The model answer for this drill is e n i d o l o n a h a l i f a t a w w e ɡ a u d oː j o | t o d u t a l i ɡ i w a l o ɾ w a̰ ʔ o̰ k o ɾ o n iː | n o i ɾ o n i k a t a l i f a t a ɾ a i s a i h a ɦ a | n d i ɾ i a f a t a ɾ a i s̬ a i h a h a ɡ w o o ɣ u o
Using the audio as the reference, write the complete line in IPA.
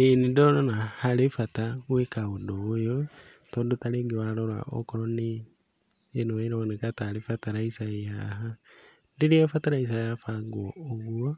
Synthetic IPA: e n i d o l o n a h a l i f a t a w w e k a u d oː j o | t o d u t a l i ɡ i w a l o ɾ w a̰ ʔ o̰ k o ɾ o n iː | n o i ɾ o n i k a t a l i f a t a ɾ a i s a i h a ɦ a | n d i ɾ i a f a t a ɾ a i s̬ a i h a f a ɡ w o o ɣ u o

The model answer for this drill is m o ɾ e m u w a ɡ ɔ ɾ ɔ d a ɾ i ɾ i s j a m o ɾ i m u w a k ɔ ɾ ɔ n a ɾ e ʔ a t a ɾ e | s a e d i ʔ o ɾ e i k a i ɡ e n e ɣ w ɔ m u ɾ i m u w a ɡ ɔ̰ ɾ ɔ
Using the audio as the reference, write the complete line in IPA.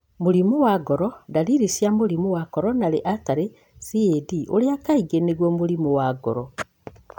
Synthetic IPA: m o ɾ i m u w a ɡ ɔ ɾ ɔ d a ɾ i ɾ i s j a m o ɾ i m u w a k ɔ ɾ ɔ n a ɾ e ʔ a t a ɾ e | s i e d i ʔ o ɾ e a k a i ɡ e n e ɣ w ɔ m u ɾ i m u w a ɡ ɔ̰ ɾ ɔ

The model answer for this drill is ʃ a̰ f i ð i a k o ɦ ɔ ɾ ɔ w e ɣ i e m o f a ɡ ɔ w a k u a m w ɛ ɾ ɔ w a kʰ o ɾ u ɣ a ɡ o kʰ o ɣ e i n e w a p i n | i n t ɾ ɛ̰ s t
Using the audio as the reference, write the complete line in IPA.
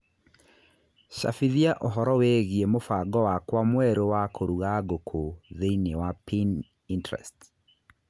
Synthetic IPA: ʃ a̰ f i ð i a ʔ o ɦ ɔ ɾ ɔ w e ɣ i e m o f a ɡ ɔ w a k w a m w ɛ ɾ o w a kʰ o ɾ u ɣ a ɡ o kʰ o ð e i n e w a p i n | i n t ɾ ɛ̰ s t

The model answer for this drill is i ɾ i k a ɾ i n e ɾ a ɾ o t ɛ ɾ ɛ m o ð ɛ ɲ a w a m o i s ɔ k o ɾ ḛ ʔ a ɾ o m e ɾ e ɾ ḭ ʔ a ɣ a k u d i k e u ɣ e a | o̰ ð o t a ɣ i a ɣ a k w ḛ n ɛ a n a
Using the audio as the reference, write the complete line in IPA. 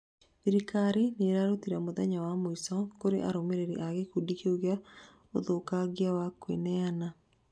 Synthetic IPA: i ɾ i k a ɾ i n e ɾ a ɾ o t i ɾ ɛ m o ð ɛ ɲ a w a m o i s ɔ k o ɾ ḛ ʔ a ɾ o m e ɾ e ɾ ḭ ʔ a ɣ e k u d i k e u ɣ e a | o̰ ð o k a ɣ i a w a k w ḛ n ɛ a n a

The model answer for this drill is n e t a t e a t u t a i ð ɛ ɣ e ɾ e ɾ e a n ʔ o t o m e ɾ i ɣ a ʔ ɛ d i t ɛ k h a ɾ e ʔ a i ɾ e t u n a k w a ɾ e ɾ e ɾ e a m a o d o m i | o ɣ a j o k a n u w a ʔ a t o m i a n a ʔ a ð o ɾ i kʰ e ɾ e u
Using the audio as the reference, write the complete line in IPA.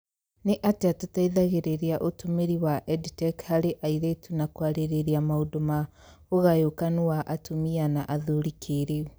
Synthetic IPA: n e ʔ a t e a t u t a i ð a ɣ e ɾ e ɾ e a ʔ o t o m e ɾ i w a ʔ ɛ d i t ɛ k h a ɾ e ʔ a i ɾ e t u n a k w a ɾ e ɾ e ɾ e a m a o d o m a | o ɣ a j o k a n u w a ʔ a t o m i a n a ʔ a ð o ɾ i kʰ e ɾ e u

